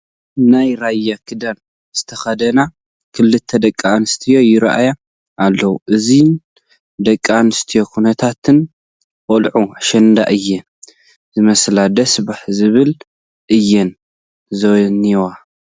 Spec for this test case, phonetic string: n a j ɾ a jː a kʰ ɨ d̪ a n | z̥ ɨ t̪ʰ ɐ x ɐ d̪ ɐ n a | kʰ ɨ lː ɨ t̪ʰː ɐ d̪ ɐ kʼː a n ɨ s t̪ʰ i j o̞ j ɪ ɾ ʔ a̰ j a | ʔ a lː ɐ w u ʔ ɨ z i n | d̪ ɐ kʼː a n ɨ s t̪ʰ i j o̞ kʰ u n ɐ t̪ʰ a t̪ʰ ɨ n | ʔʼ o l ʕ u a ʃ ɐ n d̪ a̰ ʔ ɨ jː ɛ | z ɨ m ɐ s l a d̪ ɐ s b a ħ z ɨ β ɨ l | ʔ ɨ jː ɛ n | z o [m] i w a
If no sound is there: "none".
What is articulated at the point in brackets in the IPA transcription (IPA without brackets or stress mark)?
n